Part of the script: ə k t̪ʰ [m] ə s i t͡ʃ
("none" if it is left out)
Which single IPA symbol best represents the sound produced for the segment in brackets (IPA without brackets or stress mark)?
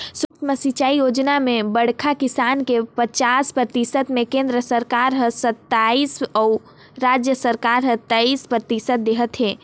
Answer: m